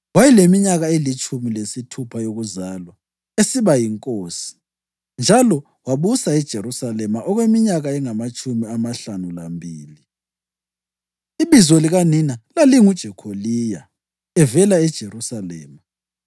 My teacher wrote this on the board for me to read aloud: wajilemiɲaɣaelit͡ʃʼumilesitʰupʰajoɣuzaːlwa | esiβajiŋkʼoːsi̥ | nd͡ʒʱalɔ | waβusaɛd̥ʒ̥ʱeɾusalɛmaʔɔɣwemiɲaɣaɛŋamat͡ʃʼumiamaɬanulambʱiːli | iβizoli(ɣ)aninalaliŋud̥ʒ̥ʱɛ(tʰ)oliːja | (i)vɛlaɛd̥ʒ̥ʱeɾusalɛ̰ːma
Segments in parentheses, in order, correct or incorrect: correct, incorrect: kʰ, incorrect: ɛ

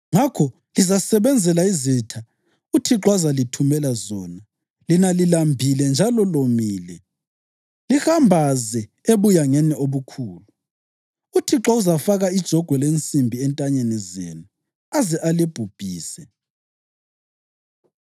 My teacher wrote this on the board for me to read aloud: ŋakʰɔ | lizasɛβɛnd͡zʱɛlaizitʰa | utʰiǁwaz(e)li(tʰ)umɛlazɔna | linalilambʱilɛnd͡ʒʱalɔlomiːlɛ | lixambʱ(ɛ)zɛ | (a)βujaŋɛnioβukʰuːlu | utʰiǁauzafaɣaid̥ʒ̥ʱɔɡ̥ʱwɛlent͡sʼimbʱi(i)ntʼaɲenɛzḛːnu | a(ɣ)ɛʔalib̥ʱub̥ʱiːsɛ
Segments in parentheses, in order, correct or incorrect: incorrect: a, correct, incorrect: a, incorrect: e, incorrect: ɛ, incorrect: z

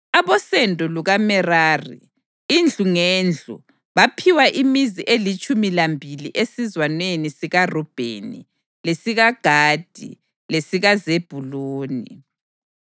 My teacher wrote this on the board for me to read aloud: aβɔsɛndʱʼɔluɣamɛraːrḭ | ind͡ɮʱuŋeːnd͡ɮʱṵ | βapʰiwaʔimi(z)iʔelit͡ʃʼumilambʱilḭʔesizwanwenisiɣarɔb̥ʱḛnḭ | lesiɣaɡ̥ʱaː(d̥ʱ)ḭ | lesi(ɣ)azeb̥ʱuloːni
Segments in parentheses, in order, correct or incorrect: correct, correct, correct

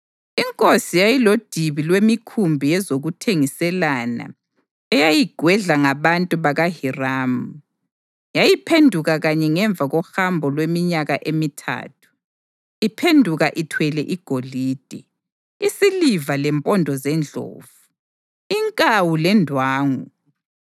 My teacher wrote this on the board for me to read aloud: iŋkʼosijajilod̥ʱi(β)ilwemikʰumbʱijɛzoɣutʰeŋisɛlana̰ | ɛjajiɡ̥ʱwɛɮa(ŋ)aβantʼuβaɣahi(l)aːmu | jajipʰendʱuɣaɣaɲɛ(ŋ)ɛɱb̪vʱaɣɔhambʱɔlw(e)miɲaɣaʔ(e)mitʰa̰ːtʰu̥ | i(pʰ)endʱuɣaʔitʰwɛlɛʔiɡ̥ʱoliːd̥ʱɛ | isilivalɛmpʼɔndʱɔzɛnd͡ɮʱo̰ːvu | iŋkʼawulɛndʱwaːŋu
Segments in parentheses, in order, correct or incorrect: correct, correct, incorrect: r, correct, correct, correct, correct

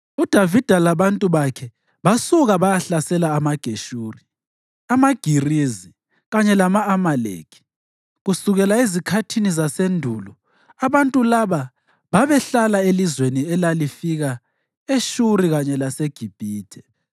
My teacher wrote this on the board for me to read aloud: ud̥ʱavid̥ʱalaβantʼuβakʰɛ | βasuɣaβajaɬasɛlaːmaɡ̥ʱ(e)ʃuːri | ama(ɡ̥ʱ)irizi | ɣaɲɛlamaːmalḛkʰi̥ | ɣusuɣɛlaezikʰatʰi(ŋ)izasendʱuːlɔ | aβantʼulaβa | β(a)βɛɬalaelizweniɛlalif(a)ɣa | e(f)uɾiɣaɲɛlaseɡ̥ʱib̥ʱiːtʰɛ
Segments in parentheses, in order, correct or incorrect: correct, correct, incorrect: n, correct, incorrect: i, incorrect: ʃ

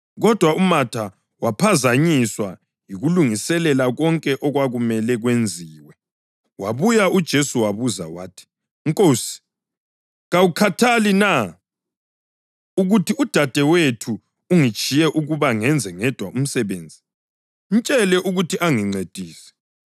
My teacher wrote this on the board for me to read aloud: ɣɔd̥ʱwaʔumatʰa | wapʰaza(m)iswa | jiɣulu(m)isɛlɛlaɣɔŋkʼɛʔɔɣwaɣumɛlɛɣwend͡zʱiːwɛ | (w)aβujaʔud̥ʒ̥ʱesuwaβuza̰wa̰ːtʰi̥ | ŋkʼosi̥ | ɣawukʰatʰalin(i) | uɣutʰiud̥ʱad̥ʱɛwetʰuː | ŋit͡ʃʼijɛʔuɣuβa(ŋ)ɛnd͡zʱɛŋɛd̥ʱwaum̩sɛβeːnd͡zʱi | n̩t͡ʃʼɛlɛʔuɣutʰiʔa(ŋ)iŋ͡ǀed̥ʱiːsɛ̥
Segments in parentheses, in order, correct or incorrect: incorrect: ɲ, incorrect: ŋ, correct, incorrect: a, correct, correct

